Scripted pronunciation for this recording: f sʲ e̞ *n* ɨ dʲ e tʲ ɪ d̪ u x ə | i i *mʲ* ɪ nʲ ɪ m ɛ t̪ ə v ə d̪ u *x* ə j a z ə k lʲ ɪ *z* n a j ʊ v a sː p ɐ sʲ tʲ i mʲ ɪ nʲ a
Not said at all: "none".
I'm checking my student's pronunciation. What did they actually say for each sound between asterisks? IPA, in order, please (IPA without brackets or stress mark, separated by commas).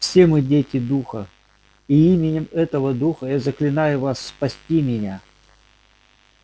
m, mʲ, x, none